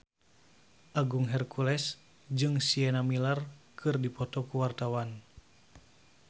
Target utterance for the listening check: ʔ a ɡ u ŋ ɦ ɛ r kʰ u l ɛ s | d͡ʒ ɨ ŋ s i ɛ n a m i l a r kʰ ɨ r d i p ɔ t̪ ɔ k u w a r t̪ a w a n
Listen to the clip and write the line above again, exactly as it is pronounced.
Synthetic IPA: ʔ a ɡ u ŋ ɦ ɛ r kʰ u l ɛ s | d͡ʒ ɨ ŋ s i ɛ n a m i l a r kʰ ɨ r d i p ɔ t̪ ɔ k u w a r t̪ a w a n